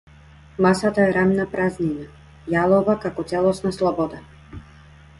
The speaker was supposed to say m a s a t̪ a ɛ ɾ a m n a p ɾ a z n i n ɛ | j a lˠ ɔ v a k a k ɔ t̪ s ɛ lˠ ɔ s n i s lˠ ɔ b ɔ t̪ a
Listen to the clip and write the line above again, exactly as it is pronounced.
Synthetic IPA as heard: m a s a t̪ a ɛ ɾ a m n a p ɾ a z n i n a | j a lˠ ɔ v a k a k ɔ t̪ s ɛ lˠ ɔ s n a s lˠ ɔ b ɔ d̪ a

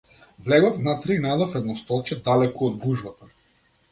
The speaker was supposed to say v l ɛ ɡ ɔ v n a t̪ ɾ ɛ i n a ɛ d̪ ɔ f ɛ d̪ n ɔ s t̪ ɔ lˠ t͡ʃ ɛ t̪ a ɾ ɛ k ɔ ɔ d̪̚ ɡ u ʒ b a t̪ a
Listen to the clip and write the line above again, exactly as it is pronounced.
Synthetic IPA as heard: v l ɛ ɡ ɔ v n a t̪ ɾ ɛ i n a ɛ d̪ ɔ f ɛ d̪ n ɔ s t̪ ɔ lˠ t͡ʃ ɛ d̪ a l ɛ k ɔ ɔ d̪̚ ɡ u ʒ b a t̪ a

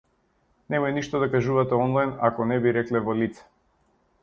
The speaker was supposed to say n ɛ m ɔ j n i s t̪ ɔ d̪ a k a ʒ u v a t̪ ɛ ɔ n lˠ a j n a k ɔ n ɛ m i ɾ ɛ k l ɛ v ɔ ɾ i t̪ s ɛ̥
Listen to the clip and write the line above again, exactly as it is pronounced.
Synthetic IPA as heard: n ɛ m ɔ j n i ʃ t̪ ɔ d̪ a k a ʒ u v a t̪ ɛ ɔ n lˠ a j n a k ɔ n ɛ b i ɾ ɛ k l ɛ v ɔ l i t̪ s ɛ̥

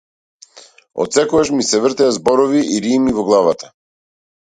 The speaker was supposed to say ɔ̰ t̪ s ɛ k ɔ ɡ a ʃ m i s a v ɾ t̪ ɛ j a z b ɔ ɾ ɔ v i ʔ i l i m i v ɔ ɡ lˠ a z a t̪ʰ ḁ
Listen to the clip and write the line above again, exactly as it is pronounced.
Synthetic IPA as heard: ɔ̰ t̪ s ɛ k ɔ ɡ a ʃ m i s ɛ v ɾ t̪ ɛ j a z b ɔ ɾ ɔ v i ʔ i ɾ i m i v ɔ ɡ lˠ a v a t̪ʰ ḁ

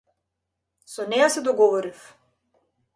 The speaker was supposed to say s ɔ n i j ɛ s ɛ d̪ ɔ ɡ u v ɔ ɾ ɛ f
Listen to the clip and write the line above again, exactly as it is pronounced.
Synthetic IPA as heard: s ɔ n ɛ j a s ɛ d̪ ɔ ɡ ɔ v ɔ ɾ i f

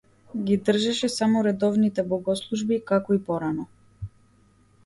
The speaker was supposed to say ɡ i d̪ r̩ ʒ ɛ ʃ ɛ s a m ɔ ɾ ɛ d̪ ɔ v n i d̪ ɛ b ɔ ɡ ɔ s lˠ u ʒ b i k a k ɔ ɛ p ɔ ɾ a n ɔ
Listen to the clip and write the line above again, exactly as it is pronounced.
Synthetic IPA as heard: ɡ i d̪ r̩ ʒ ɛ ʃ ɛ s a m ɔ ɾ ɛ d̪ ɔ v n i t̪ ɛ b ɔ ɡ ɔ s lˠ u ʒ b i k a k ɔ i p ɔ ɾ a n ɔ

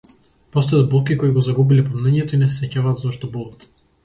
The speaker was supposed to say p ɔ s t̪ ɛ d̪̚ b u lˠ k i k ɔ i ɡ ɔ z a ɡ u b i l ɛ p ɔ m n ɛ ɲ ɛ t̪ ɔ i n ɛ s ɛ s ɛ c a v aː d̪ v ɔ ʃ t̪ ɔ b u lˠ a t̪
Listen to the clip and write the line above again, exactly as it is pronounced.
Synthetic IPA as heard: p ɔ s t̪ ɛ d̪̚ b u lˠ k i k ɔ i ɡ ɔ z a ɡ u b i l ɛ p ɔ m n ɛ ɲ ɛ t̪ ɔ i n ɛ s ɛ s ɛ c a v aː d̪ z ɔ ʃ t̪ ɔ b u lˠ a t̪

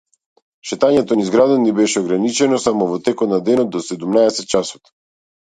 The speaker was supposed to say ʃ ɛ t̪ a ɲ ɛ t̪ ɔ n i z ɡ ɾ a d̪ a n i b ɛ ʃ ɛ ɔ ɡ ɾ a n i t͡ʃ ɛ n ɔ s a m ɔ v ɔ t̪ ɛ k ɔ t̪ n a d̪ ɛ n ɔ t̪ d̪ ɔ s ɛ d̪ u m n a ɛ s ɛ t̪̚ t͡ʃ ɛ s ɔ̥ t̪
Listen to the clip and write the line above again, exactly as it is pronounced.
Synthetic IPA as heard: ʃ ɛ t̪ a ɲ ɛ t̪ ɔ n i z ɡ ɾ a d̪ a n i b ɛ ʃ ɛ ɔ ɡ ɾ a n i t͡ʃ ɛ n ɔ s a m ɔ v ɔ t̪ ɛ k ɔ t̪ n a d̪ ɛ n ɔ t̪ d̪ ɔ s ɛ d̪ u m n a ɛ s ɛ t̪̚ t͡ʃ a s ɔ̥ t̪

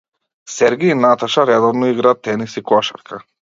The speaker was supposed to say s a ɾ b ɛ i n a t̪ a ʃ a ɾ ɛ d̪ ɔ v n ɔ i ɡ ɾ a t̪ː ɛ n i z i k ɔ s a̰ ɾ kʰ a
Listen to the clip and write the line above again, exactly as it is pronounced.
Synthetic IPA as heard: s ɛ ɾ ɡ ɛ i n a t̪ a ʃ a ɾ ɛ d̪ ɔ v n ɔ i ɡ ɾ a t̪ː ɛ n i s i k ɔ ʃ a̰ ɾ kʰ a

